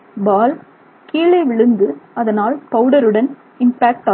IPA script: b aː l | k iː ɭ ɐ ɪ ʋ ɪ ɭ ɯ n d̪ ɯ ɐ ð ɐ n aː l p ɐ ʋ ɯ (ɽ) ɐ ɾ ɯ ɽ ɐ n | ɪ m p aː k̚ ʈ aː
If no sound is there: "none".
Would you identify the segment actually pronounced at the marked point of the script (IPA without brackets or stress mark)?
ɽ